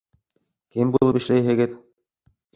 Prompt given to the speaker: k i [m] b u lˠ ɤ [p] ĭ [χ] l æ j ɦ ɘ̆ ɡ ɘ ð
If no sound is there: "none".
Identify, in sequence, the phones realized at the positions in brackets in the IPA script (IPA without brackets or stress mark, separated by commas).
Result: m, p, ʃ